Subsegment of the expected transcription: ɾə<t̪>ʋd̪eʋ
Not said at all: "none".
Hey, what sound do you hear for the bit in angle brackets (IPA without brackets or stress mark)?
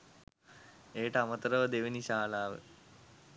none